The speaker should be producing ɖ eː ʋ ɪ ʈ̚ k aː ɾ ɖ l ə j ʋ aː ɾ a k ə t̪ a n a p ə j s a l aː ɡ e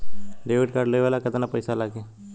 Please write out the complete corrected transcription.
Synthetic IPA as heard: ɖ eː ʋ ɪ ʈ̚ k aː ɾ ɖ l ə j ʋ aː l a k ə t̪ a n a p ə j s a l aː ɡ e